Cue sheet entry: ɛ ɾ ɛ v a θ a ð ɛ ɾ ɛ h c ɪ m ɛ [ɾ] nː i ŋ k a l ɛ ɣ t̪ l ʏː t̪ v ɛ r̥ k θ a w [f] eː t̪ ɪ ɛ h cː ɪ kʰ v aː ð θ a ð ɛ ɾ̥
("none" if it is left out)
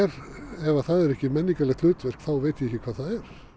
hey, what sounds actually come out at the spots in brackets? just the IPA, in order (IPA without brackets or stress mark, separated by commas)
none, v